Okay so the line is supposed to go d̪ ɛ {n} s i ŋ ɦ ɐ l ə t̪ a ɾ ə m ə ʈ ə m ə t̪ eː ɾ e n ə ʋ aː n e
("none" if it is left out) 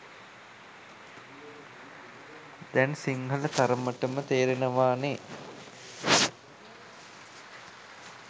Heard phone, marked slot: n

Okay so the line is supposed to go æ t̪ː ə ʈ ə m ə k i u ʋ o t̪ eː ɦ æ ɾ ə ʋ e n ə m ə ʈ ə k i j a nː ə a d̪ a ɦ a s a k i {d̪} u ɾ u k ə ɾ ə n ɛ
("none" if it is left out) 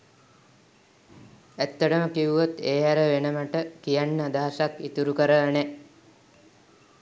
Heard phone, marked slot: t̪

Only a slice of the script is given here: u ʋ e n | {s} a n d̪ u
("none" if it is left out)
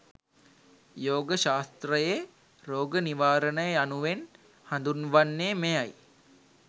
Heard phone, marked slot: h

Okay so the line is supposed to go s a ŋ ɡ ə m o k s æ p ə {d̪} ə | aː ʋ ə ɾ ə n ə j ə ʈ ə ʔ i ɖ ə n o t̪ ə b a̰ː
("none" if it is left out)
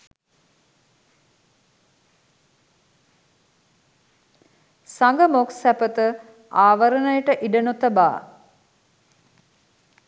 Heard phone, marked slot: t̪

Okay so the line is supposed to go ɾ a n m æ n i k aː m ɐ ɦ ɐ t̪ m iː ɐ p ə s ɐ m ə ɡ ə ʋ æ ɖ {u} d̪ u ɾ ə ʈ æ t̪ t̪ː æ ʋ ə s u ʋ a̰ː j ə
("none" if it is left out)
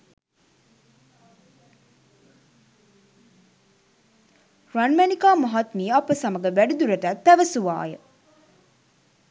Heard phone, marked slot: u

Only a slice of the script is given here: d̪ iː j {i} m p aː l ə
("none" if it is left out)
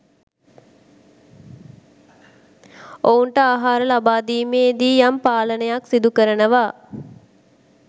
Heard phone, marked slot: a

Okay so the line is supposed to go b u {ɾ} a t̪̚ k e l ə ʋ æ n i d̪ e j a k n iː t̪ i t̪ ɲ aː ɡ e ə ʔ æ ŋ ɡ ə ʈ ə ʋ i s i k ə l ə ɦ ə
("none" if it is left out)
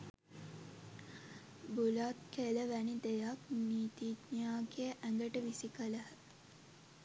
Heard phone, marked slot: l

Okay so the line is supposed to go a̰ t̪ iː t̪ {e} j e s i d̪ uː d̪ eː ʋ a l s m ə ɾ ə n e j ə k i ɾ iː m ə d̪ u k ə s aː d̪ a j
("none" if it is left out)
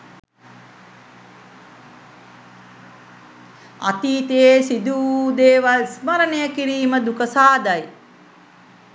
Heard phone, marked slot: e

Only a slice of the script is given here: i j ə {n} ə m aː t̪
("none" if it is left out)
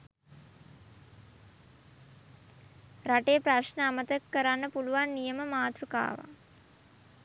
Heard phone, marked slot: m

